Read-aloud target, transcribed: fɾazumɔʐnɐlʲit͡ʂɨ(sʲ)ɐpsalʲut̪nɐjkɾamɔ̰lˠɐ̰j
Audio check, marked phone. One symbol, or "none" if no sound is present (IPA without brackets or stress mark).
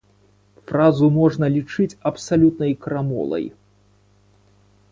t͡sʲ